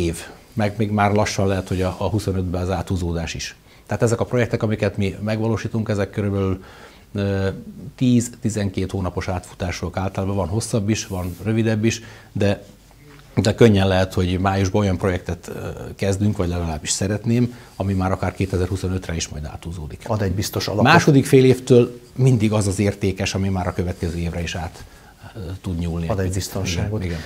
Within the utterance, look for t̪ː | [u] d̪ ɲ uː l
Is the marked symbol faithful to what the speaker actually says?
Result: yes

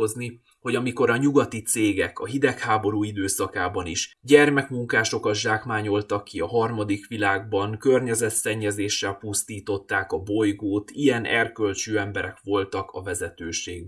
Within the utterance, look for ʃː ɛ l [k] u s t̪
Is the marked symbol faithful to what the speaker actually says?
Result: no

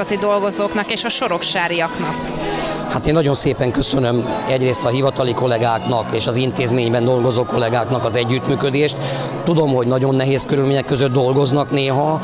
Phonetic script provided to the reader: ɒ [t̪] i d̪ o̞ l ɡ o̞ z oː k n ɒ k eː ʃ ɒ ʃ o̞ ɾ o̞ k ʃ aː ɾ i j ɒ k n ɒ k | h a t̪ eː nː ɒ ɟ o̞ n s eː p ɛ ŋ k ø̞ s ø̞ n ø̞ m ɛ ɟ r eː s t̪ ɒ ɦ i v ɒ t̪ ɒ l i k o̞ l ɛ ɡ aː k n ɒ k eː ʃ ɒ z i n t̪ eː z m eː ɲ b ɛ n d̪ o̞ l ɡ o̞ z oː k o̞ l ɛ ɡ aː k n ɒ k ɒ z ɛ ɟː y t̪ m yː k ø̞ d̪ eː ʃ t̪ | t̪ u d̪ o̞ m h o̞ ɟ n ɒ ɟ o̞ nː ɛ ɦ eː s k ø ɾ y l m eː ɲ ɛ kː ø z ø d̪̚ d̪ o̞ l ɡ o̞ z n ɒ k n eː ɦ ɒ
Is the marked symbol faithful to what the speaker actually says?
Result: yes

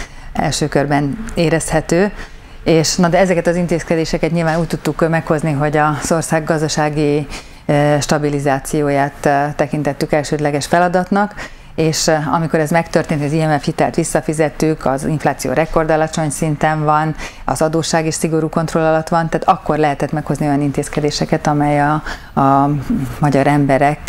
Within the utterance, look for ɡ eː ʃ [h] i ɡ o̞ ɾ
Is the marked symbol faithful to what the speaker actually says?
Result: no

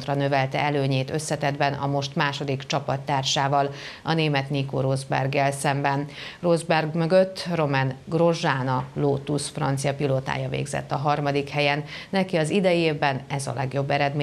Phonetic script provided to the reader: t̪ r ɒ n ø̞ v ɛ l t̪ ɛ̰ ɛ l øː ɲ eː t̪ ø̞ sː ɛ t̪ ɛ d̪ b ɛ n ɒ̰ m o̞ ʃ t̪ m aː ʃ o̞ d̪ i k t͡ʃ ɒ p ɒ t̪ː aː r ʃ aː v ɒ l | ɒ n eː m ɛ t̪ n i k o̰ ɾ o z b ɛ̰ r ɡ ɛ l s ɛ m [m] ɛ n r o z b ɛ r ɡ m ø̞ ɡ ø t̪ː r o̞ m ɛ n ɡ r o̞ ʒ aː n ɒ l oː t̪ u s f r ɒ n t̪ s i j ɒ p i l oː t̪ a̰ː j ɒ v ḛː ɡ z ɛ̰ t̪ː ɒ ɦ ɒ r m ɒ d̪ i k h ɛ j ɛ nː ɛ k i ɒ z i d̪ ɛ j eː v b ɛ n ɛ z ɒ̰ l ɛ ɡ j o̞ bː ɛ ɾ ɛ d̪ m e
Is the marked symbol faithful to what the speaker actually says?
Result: no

